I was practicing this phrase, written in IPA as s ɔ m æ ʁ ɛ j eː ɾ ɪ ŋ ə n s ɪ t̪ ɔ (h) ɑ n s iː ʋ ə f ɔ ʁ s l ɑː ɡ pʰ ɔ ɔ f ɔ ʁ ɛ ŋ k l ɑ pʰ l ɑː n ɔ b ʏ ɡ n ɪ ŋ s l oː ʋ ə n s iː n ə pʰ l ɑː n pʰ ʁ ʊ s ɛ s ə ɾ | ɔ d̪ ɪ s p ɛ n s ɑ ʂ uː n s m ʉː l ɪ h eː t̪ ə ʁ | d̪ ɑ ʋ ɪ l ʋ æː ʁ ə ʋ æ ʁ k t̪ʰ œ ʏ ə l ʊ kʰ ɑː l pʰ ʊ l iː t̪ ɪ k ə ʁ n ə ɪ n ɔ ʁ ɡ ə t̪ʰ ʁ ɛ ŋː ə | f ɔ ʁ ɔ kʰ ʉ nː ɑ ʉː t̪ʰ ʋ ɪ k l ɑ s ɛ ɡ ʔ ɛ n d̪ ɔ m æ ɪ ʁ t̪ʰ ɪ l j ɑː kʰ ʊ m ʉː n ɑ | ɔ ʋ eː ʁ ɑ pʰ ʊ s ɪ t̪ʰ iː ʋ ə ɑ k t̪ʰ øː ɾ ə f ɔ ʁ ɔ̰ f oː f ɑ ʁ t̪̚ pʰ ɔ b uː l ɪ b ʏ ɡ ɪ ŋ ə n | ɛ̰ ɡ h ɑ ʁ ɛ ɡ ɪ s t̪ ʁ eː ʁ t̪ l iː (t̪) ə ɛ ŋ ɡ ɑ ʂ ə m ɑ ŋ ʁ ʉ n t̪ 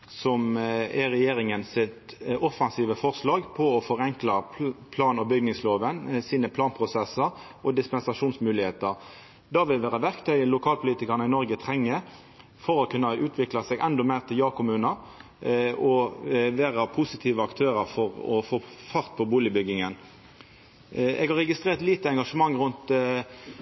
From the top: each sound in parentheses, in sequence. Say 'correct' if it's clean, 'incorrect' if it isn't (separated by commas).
incorrect, correct